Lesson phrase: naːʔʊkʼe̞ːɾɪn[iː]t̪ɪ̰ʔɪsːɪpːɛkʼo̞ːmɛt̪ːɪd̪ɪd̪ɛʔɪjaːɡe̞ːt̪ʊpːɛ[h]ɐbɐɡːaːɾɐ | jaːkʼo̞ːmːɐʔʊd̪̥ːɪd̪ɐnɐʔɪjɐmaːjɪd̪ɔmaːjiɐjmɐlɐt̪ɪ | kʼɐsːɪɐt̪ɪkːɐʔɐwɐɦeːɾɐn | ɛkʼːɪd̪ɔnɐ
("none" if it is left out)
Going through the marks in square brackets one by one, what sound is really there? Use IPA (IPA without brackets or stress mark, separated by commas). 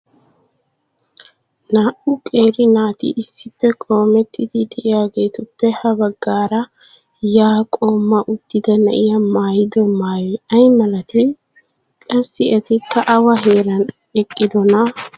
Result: aː, h